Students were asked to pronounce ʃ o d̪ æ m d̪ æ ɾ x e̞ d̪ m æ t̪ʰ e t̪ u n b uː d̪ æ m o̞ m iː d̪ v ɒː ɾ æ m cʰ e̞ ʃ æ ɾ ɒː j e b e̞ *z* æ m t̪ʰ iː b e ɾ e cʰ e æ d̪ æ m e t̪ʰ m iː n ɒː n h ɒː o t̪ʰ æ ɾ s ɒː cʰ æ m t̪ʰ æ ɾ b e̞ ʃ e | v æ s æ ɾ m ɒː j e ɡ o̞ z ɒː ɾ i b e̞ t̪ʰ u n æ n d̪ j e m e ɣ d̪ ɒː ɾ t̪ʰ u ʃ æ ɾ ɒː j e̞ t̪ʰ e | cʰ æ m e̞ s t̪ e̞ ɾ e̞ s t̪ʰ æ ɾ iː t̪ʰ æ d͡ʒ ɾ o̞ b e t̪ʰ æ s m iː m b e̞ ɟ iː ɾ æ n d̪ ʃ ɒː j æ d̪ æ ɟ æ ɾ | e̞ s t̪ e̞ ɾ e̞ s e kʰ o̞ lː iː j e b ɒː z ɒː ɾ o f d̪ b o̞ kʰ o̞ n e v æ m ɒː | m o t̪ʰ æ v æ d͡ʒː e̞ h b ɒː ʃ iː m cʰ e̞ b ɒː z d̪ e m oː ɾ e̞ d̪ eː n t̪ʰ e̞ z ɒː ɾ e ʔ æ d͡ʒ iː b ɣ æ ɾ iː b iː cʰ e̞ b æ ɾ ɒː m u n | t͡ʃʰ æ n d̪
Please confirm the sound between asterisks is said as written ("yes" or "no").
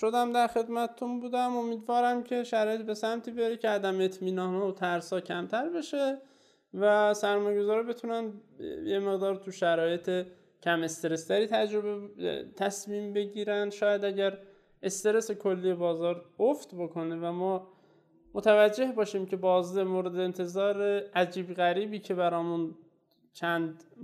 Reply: no